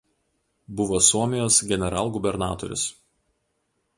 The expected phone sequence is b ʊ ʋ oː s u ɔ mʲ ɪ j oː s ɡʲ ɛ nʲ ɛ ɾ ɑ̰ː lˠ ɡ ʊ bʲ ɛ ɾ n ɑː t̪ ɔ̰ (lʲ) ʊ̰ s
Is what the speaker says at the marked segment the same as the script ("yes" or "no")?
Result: no